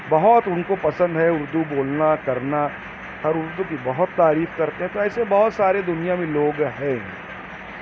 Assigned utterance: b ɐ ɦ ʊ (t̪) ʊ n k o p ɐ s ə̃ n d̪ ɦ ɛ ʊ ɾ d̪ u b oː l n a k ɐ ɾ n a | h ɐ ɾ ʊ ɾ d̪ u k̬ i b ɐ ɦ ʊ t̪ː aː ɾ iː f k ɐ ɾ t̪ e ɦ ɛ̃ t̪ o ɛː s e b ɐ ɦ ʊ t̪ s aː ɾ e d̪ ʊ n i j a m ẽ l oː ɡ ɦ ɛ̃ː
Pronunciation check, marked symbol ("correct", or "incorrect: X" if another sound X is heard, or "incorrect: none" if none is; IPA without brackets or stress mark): correct